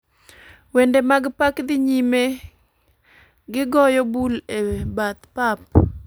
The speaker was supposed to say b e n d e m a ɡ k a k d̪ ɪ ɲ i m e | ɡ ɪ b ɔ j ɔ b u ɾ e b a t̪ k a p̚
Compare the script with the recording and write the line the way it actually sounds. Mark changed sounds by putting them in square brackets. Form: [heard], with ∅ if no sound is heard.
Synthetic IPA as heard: [w] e n d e m a ɡ [p] a k d̪ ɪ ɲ i m e | ɡ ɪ [ɡ] ɔ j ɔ b u [l] e b a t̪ [p] a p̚